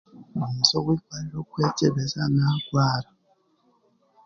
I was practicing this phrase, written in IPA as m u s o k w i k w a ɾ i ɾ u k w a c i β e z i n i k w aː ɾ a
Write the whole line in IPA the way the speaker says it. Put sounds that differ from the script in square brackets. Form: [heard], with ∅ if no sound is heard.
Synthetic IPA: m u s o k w i k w a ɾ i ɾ [o] k w [e] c [e] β e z [a] n [a] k w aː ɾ a